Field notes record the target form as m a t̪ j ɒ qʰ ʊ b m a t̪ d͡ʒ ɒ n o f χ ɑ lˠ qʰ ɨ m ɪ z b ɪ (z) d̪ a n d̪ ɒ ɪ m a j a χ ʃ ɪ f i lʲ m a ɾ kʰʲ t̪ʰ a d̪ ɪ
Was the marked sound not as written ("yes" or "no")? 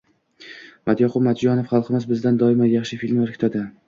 no